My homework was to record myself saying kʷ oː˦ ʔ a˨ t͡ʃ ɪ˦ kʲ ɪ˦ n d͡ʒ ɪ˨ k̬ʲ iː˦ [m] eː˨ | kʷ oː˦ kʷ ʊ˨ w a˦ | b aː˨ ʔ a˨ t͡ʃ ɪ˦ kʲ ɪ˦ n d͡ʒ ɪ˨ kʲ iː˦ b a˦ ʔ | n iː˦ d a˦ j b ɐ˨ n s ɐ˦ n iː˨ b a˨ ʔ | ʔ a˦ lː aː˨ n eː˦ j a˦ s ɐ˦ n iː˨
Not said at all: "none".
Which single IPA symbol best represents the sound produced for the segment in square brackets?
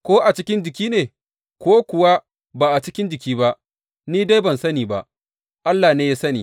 n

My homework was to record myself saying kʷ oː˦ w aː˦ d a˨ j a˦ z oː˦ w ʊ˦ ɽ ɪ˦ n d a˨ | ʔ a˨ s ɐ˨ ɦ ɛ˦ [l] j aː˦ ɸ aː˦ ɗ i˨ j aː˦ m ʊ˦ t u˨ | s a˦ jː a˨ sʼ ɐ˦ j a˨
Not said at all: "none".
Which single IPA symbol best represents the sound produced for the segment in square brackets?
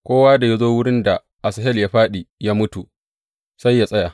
l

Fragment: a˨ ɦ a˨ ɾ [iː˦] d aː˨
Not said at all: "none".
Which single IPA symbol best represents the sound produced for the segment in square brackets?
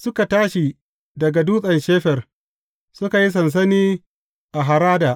aː˦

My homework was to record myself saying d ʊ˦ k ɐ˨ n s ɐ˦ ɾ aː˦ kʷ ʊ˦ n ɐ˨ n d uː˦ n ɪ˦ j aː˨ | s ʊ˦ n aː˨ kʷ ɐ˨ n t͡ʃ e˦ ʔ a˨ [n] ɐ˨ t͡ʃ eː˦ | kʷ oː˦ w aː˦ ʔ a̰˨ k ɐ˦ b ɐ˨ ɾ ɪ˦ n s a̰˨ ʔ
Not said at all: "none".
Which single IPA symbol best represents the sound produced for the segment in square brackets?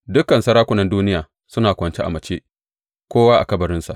m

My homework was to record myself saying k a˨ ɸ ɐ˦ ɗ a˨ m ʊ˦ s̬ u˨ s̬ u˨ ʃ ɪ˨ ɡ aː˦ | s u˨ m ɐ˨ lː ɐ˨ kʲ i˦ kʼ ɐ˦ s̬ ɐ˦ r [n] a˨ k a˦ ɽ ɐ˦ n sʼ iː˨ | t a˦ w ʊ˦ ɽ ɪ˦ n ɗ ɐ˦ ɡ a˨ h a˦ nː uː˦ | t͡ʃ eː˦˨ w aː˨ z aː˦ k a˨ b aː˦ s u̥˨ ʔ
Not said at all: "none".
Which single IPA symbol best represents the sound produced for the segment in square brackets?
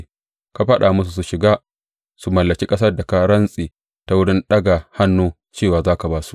d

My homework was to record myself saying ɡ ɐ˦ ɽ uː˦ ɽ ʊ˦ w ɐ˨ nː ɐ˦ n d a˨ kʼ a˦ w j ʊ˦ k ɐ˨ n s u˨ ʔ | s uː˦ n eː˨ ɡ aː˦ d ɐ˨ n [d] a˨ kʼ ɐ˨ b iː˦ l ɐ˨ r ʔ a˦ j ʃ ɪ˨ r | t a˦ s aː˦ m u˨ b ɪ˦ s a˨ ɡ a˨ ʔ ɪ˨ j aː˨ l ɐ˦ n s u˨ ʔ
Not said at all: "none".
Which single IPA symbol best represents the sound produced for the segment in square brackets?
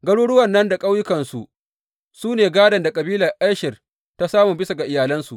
d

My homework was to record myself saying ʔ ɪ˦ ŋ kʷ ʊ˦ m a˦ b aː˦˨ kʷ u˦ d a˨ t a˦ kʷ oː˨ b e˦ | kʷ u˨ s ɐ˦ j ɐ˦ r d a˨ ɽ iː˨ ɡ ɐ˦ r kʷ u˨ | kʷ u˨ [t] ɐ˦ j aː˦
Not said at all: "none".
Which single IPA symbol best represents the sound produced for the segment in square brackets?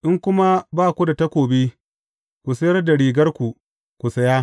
s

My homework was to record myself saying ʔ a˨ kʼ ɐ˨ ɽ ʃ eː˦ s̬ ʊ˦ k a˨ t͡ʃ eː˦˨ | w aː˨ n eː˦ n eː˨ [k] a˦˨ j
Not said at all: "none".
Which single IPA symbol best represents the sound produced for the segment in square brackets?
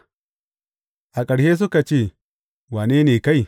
k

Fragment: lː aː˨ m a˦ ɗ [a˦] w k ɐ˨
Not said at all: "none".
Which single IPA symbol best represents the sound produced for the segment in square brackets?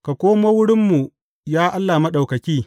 a˨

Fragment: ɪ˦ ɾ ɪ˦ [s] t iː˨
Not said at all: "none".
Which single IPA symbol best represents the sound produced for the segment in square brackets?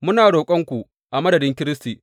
s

